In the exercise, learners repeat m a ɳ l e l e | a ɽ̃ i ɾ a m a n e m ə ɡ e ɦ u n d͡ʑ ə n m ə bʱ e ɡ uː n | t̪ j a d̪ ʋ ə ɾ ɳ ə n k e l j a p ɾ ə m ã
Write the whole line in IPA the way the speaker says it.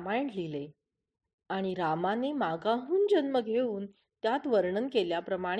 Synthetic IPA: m a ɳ l i l e | a ɽ̃ i ɾ a m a n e m a ɡ a ɦ uː n d͡ʑ ə n m ə ɡʱ e uː n | t̪ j a t̪ ʋ ə ɾ ɳ ə n k e l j a p ɾ ə m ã